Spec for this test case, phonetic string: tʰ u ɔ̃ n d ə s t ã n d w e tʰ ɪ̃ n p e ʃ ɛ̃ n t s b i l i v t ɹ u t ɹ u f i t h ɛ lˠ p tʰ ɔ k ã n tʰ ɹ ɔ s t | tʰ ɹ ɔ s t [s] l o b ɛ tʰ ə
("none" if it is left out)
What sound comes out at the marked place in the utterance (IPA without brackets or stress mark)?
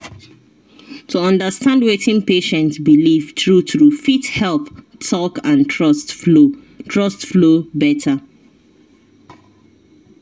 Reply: f